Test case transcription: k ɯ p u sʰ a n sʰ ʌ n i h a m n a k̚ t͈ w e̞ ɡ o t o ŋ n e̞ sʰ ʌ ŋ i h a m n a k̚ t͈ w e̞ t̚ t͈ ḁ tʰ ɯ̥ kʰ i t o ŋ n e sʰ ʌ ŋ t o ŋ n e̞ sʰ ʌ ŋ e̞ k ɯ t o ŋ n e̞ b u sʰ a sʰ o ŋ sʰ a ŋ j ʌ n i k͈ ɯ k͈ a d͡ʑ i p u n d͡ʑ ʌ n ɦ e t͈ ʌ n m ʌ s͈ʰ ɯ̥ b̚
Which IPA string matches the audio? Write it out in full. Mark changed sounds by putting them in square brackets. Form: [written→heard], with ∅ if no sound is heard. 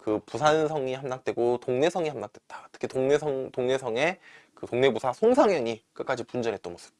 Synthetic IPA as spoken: k ɯ p u sʰ a n sʰ ʌ [n→ŋ] i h a m n a k̚ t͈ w e̞ ɡ o t o ŋ n e̞ sʰ ʌ ŋ i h a m n a k̚ t͈ w e̞ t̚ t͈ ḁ tʰ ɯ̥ kʰ i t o ŋ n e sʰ ʌ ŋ t o ŋ n e̞ sʰ ʌ ŋ e̞ k ɯ t o ŋ n e̞ b u sʰ a sʰ o ŋ sʰ a ŋ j ʌ [n→ɲ] i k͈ ɯ k͈ a d͡ʑ i p u n d͡ʑ ʌ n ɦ e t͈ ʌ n m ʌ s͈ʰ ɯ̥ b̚